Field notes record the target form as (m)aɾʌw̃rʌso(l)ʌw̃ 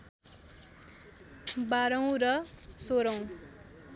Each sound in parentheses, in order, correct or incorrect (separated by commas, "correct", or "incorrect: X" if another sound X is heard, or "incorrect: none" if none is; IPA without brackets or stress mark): incorrect: b, incorrect: ɾ